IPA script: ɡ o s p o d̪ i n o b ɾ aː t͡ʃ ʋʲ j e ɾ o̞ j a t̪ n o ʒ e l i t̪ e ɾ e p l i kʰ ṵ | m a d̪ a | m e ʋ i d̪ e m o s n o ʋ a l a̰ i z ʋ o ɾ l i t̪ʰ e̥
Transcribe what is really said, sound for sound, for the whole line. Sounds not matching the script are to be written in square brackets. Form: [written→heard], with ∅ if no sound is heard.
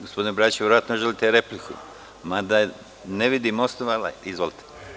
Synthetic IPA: ɡ o s p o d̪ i n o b ɾ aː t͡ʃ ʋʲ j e ɾ o̞ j a t̪ n o ʒ e l i t̪ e ɾ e p l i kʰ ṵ | m a d̪ a | [m→n] e ʋ i d̪ [e→i] m o s n o ʋ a l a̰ i z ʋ o [ɾ→∅] l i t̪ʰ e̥